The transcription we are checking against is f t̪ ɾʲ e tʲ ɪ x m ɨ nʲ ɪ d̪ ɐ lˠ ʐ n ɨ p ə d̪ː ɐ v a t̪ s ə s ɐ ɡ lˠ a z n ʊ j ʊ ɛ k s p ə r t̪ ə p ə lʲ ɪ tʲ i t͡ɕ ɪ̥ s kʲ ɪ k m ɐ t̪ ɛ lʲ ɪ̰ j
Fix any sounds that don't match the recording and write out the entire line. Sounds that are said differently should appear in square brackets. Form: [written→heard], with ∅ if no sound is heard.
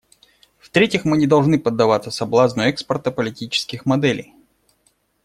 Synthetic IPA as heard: f t̪ ɾʲ e tʲ ɪ x m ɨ nʲ ɪ d̪ ɐ lˠ ʐ n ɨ p ə d̪ː ɐ v a t̪ s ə s ɐ [ɡ→b] lˠ a z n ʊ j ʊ ɛ k s p ə r t̪ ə p ə lʲ ɪ tʲ i t͡ɕ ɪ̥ s kʲ ɪ [k→x] m ɐ [t̪→d̪] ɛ lʲ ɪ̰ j

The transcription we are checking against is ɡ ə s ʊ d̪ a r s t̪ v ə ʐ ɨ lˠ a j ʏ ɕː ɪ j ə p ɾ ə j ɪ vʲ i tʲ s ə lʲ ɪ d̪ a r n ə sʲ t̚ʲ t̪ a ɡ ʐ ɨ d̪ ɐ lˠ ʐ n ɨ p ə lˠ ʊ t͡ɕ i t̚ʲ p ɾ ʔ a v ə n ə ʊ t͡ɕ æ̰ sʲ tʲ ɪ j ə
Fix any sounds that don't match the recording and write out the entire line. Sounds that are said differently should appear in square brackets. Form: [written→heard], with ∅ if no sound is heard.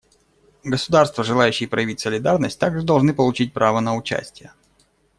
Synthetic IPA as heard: ɡ ə s ʊ d̪ a r s t̪ v ə ʐ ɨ lˠ a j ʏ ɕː ɪ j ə p ɾ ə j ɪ vʲ i tʲ s ə lʲ ɪ d̪ a r n ə sʲ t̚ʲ t̪ a ɡ ʐ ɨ d̪ ɐ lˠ ʐ n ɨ p ə lˠ ʊ t͡ɕ i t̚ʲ p ɾ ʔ a v ə n ə ʊ t͡ɕ æ̰ sʲ tʲ ɪ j ə

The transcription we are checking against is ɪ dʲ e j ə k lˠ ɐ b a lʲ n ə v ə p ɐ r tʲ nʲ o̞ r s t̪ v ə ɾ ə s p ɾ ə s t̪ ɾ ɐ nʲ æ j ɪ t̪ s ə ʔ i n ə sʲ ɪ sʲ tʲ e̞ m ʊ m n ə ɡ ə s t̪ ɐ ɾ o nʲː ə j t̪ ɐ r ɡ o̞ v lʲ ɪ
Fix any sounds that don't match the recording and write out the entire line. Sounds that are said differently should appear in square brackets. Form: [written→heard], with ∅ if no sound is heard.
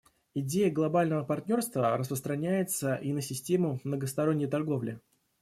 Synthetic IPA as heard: ɪ dʲ e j ə [k→ɡ] lˠ ɐ b a lʲ n ə v ə p ɐ r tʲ nʲ o̞ r s t̪ v ə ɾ ə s p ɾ ə s t̪ ɾ ɐ nʲ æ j ɪ t̪ s ə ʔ i n ə sʲ ɪ sʲ tʲ e̞ m ʊ m n ə ɡ ə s t̪ ɐ ɾ o nʲː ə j t̪ ɐ r ɡ o̞ v lʲ ɪ

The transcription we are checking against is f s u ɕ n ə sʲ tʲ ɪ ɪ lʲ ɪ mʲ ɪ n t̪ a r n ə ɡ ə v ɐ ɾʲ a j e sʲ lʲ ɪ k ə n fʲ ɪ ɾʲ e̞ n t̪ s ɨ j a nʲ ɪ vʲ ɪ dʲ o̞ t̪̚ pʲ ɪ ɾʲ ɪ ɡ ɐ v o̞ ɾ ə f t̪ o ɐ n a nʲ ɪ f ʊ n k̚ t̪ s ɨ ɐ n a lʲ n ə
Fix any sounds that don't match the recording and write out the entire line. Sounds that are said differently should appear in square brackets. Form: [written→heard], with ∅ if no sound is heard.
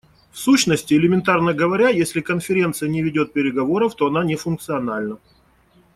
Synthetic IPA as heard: f s u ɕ n ə sʲ tʲ ɪ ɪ lʲ ɪ mʲ ɪ n t̪ a r n ə ɡ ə v ɐ ɾʲ a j e sʲ lʲ ɪ k ə n fʲ ɪ ɾʲ e̞ n t̪ s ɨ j [a→ə] nʲ ɪ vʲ ɪ dʲ o̞ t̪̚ pʲ ɪ ɾʲ ɪ ɡ ɐ v o̞ ɾ ə f t̪ o ɐ n a nʲ ɪ f ʊ n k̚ t̪ s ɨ ɐ n a lʲ n ə

